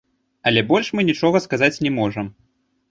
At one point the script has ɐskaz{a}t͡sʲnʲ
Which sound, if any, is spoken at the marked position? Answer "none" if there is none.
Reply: a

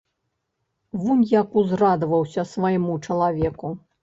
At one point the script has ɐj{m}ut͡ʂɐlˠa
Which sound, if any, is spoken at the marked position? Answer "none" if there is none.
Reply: m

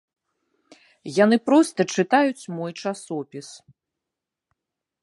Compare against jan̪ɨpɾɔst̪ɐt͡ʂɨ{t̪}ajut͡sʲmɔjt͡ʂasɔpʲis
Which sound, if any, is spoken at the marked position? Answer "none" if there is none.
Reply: t̪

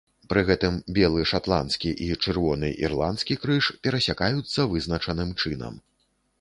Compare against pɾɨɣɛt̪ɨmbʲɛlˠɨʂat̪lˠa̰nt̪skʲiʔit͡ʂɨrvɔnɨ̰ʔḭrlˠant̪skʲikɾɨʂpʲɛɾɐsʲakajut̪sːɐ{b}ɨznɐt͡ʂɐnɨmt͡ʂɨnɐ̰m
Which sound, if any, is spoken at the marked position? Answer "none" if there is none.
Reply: v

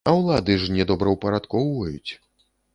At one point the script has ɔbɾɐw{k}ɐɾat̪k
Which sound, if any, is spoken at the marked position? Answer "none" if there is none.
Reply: p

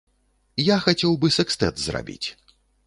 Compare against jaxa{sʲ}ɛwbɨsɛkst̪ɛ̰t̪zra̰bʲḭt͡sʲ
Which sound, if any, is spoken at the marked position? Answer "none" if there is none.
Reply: t͡sʲ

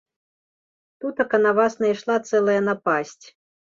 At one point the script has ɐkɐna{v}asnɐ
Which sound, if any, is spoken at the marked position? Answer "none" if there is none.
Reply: v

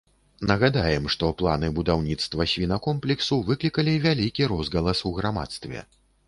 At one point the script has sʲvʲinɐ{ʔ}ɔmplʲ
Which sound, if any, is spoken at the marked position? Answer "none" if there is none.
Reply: k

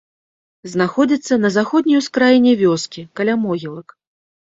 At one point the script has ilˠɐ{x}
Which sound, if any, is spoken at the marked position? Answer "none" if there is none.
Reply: k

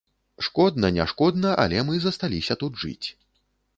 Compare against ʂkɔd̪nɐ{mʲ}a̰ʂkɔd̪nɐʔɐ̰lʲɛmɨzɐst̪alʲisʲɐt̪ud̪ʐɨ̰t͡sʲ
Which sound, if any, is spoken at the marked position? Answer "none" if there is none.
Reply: nʲ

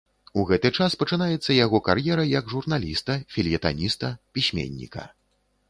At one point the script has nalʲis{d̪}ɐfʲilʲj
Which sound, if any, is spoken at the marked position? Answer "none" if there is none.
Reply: t̪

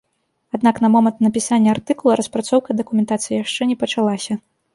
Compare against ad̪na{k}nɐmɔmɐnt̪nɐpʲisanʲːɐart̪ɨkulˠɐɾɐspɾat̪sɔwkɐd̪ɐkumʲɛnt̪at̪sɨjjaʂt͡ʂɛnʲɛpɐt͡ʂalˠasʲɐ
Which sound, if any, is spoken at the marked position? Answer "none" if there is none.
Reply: k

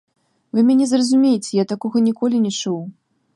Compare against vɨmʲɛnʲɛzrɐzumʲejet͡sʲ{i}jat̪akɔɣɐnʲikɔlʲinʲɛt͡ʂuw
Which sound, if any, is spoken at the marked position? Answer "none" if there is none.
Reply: ɛ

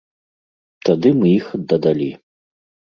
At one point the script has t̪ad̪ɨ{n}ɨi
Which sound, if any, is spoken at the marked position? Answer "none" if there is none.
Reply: m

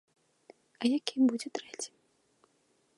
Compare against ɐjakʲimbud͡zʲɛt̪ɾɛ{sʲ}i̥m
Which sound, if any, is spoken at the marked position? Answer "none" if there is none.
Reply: t͡sʲ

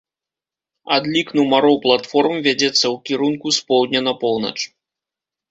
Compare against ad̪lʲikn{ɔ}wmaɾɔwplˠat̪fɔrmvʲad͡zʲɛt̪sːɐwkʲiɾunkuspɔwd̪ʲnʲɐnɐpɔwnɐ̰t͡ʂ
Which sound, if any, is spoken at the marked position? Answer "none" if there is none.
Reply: u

